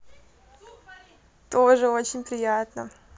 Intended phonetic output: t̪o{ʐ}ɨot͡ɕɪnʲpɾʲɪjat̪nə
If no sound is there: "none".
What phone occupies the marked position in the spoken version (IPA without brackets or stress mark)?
ʐ